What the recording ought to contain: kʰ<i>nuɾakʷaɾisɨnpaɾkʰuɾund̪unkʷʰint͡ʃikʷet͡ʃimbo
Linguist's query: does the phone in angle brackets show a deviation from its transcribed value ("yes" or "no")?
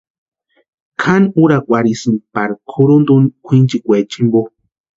yes